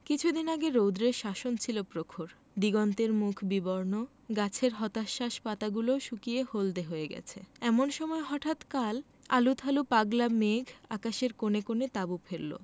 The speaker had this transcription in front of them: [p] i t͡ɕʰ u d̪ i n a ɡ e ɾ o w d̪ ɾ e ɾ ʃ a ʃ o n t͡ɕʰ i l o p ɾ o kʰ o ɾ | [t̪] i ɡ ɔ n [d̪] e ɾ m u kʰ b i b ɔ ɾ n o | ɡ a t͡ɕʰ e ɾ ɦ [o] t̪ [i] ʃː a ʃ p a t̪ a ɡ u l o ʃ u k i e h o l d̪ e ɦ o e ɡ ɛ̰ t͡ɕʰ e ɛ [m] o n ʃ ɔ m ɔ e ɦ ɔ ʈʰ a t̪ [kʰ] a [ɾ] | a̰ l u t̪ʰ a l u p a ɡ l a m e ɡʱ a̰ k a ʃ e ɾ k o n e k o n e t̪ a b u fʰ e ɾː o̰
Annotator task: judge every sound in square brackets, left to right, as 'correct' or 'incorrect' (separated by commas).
incorrect, incorrect, incorrect, incorrect, incorrect, correct, incorrect, incorrect